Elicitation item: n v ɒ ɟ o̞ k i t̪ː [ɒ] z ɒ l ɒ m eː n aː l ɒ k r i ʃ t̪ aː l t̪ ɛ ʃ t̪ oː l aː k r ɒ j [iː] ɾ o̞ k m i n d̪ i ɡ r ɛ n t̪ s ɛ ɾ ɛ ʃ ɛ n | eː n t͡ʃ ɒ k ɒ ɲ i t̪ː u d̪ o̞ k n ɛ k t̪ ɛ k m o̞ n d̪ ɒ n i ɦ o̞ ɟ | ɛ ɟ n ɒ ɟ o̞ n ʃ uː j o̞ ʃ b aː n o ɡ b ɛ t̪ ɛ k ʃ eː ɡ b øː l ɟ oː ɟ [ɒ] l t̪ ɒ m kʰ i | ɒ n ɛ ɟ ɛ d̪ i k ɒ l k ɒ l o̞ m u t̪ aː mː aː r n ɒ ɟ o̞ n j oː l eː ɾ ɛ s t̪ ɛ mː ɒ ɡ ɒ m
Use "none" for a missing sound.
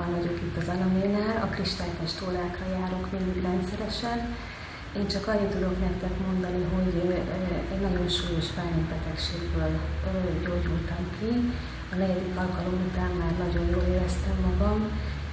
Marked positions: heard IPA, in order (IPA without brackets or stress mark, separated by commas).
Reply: ɒ, aː, u